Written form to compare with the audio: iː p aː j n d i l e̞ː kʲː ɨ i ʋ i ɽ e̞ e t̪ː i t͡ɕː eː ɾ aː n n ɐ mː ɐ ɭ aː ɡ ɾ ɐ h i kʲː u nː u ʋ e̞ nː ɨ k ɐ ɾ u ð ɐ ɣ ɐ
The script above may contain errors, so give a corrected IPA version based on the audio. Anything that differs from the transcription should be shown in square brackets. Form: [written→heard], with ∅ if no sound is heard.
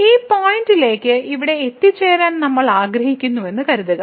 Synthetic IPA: iː p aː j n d i l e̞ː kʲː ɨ i ʋ i ɽ e̞ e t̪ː i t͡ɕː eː ɾ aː n n ɐ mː ɐ ɭ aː ɡ ɾ ɐ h i kʲː u nː u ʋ e̞ nː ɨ k ɐ ɾ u ð ɐ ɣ ɐ